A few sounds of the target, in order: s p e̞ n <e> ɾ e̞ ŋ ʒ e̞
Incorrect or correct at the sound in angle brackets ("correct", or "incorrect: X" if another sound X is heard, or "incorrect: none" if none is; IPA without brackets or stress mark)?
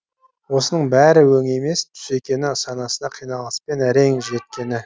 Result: incorrect: æ